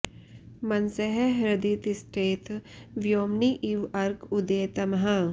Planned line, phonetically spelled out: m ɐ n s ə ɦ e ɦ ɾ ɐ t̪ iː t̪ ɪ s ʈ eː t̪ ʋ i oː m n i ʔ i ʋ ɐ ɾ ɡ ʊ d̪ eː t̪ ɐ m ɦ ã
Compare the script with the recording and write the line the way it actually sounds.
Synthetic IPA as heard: m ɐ n s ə ɦ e ɦ ɾ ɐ d̪ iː t̪ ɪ s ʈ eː t̪ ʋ j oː m n i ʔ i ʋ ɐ ɾ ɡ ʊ d̪ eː t̪ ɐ m ɦ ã